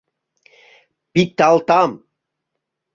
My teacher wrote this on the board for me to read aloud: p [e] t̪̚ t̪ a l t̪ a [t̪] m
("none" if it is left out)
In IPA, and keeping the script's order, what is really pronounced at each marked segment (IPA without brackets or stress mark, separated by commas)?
i, none